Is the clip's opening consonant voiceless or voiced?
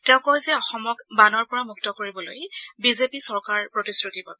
voiceless